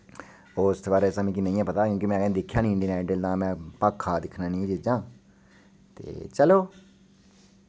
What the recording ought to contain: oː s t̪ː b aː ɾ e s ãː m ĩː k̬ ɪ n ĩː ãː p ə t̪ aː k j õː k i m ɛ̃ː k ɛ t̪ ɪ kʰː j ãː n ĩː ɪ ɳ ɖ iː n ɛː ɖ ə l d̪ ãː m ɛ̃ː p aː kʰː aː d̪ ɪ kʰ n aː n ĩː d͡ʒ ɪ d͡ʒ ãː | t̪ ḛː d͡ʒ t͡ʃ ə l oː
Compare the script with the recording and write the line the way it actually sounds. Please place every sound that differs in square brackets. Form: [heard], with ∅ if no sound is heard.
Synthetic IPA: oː s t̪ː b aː ɾ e s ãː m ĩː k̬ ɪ n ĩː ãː p ə t̪ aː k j õː k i m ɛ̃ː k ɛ [d̪] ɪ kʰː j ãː n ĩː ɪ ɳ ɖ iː n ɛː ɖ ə l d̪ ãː m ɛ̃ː p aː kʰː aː d̪ ɪ kʰ n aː n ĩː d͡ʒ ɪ d͡ʒ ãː | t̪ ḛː [∅] t͡ʃ ə l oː